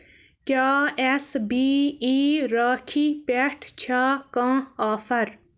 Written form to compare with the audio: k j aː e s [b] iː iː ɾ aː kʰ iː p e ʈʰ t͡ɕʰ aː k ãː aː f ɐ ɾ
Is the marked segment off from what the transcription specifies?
no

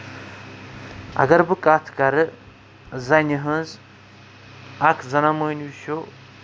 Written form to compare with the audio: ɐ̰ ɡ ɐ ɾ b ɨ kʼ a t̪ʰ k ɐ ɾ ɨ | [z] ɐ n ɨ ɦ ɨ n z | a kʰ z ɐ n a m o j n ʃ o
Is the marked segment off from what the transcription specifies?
no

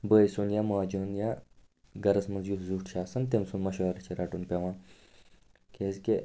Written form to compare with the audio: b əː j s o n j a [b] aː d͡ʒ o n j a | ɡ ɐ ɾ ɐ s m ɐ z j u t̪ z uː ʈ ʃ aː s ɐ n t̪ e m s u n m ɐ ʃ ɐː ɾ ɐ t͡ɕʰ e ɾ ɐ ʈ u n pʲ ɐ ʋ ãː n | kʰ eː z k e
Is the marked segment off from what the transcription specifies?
yes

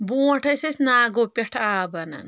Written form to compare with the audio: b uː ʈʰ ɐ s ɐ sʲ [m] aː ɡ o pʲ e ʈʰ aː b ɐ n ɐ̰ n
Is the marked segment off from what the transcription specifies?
yes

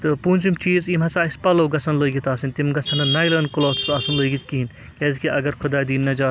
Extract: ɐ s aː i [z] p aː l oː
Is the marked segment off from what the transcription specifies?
yes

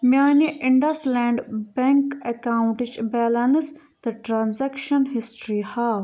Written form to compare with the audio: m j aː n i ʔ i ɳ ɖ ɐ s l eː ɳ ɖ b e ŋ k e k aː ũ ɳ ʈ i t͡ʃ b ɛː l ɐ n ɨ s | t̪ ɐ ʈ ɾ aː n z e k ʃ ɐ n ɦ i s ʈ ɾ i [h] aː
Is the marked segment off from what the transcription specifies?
no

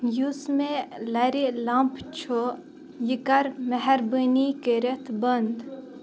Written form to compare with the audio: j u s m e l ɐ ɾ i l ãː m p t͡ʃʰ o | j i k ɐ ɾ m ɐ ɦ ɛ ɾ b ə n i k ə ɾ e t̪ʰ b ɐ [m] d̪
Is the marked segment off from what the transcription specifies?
yes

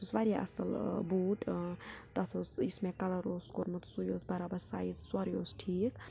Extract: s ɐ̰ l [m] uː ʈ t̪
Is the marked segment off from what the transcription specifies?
yes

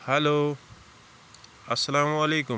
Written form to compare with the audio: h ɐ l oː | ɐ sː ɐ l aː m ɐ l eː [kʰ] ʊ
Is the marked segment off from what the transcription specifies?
yes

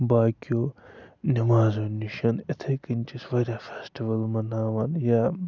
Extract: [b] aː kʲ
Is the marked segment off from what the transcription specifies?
no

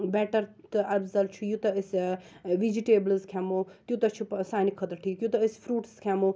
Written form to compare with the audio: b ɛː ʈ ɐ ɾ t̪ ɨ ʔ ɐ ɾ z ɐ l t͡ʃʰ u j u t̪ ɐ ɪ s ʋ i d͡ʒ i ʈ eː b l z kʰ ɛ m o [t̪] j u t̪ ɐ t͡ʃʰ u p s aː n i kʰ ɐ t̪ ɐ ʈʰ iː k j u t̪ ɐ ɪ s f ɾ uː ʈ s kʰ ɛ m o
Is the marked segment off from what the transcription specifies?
no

